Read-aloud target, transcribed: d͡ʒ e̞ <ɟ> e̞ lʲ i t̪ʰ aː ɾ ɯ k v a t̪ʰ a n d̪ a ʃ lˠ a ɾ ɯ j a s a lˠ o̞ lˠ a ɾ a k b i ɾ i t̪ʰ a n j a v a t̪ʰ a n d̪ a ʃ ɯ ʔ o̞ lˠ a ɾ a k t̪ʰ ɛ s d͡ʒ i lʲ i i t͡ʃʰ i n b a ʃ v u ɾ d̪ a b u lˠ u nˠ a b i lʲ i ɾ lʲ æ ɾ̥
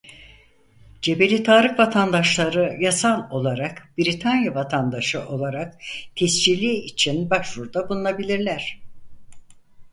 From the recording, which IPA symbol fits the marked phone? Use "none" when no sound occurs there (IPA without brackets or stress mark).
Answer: b